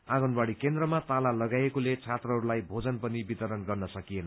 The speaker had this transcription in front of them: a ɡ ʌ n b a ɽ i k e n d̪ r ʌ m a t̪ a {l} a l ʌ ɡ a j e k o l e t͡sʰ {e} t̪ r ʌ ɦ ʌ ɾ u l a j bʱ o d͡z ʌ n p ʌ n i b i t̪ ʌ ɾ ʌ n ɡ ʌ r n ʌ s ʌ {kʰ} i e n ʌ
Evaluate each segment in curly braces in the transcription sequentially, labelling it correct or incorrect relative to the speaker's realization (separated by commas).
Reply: correct, incorrect, incorrect